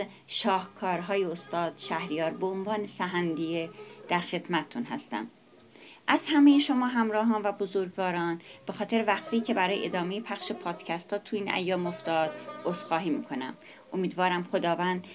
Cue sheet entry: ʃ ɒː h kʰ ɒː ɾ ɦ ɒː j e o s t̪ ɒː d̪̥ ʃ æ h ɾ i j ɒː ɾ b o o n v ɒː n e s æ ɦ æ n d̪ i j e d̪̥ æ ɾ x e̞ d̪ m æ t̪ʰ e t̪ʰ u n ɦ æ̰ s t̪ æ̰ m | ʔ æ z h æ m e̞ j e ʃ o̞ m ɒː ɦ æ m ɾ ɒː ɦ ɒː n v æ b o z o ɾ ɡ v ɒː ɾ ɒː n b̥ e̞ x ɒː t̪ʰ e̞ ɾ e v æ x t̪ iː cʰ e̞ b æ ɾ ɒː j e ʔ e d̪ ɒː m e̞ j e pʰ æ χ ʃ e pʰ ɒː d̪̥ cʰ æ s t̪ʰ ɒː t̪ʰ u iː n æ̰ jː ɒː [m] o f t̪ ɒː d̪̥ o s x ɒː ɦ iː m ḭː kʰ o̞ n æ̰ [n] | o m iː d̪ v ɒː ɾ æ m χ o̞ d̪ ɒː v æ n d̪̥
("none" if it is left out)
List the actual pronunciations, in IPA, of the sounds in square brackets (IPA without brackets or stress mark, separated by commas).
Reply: m, m